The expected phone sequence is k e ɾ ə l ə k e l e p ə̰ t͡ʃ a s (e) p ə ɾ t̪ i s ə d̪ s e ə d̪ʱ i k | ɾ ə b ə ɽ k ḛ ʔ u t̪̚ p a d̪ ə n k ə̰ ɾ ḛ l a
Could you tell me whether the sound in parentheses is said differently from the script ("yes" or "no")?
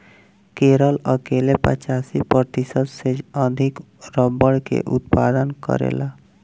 yes